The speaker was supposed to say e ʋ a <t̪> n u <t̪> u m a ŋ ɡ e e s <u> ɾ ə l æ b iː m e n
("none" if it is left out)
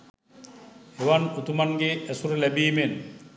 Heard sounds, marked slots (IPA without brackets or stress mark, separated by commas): none, t̪, u